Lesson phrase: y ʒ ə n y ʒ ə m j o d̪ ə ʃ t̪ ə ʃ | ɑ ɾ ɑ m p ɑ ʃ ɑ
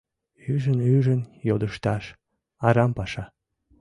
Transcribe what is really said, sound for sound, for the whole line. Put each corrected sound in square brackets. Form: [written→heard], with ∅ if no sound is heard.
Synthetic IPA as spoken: y ʒ ə n y ʒ ə [m→n] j o d̪ ə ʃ t̪ [ə→ɑ] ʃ | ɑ ɾ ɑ m p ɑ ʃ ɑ